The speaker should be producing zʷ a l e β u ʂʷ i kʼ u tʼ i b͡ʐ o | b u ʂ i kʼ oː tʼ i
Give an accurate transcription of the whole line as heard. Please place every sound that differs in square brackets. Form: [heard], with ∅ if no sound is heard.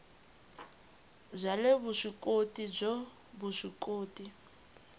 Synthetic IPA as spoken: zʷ a l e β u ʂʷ i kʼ [o] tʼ i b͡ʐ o | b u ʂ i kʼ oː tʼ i